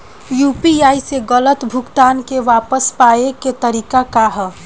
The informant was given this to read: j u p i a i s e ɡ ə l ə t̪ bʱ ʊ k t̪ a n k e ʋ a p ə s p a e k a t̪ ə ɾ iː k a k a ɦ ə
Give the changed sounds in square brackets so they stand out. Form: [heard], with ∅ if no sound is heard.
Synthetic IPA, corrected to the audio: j u p i a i s e ɡ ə l ə t̪ bʱ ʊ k t̪ a n k e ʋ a p ə s p a e k [e] t̪ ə ɾ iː k a k a ɦ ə